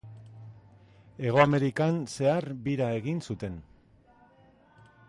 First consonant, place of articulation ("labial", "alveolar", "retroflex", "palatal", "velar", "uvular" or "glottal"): velar